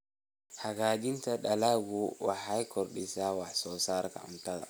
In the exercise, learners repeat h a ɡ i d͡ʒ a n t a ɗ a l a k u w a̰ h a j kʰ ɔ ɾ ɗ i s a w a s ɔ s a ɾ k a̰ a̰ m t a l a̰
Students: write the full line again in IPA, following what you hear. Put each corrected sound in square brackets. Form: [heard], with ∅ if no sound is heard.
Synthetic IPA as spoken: h a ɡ [a] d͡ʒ [i] n t a ɗ a l a [ɡ] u w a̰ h a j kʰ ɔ ɾ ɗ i s a w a s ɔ s a ɾ k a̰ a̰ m t a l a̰